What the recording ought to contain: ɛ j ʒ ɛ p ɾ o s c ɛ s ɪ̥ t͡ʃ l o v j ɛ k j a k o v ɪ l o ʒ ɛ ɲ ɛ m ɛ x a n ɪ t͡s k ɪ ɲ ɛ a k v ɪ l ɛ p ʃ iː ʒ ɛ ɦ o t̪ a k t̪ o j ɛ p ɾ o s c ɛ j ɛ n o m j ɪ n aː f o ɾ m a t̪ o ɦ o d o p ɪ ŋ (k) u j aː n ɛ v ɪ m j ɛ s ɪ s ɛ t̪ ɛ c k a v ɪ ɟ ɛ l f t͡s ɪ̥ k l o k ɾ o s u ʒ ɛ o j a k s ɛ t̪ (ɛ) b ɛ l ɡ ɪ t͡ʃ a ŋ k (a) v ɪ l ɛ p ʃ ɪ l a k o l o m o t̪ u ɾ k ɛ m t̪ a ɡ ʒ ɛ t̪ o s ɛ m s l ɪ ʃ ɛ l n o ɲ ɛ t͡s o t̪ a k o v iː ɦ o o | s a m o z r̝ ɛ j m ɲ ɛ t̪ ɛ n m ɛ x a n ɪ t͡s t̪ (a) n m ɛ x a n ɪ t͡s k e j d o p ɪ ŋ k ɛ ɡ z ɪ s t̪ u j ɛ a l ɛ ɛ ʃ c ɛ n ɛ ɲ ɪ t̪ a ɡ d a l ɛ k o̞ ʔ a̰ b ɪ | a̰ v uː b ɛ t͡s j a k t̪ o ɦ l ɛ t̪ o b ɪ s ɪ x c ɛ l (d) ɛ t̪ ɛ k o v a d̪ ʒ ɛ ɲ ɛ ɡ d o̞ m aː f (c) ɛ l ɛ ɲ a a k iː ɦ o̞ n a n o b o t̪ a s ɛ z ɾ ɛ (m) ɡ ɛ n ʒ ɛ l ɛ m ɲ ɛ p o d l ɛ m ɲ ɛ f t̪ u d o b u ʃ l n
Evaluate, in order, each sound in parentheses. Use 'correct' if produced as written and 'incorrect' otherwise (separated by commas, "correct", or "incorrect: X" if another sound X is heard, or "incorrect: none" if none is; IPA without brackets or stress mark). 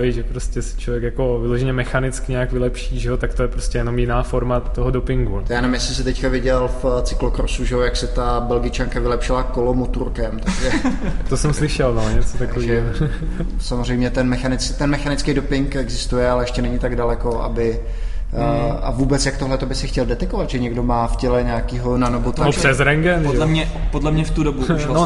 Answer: incorrect: ɡ, incorrect: a, correct, incorrect: ɛ, correct, correct, incorrect: ŋ